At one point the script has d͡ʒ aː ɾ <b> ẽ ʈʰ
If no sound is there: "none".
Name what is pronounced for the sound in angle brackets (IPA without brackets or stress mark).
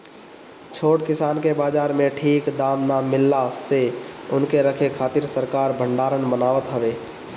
m